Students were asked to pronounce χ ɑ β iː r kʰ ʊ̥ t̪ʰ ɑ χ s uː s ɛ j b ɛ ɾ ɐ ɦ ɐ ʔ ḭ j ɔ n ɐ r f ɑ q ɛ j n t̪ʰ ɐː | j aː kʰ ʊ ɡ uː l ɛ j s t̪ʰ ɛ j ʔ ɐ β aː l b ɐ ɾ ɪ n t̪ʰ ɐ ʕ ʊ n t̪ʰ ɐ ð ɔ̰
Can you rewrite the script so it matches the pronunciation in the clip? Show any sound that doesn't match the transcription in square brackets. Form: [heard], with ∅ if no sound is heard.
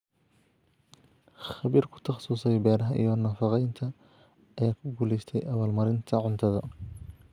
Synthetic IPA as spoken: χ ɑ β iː r kʰ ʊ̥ t̪ʰ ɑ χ s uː s ɛ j b [ɛː] ɾ ɐ ɦ ɐ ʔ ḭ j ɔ n ɐ [∅] f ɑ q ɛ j n t̪ʰ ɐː | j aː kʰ ʊ ɡ uː l ɛ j s t̪ʰ ɛ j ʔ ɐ β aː l [m] ɐ ɾ ɪ n t̪ʰ ɐ ʕ ʊ n t̪ʰ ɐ ð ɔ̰